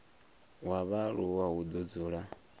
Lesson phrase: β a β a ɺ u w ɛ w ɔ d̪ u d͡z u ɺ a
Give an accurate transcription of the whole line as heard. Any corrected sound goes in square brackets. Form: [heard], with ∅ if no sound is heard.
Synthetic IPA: [w] a β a ɺ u w [a] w [u] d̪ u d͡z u ɺ a